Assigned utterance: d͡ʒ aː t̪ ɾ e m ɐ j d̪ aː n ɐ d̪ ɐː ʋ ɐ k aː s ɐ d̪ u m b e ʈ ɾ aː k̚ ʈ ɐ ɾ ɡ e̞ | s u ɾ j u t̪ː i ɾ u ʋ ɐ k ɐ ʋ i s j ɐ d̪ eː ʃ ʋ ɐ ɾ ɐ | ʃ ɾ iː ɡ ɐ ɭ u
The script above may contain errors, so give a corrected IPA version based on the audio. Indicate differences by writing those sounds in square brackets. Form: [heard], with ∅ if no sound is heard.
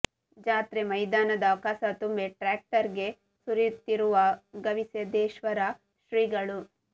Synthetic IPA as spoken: d͡ʒ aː t̪ ɾ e m ɐ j d̪ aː n ɐ d̪ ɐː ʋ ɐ k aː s ɐ [t̪] u m b e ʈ ɾ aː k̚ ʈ ɐ ɾ ɡ e̞ | s u ɾ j u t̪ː i ɾ u ʋ ɐ [ɡ] ɐ ʋ i s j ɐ d̪ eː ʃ ʋ ɐ ɾ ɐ | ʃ ɾ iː ɡ ɐ ɭ u